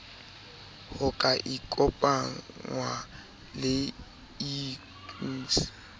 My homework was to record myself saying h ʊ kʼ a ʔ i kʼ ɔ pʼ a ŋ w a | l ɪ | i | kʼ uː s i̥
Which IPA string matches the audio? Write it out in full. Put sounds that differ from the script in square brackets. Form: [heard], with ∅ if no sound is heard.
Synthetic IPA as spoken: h ʊ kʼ a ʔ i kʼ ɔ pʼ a ŋ w a | l ɪ | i | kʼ uː s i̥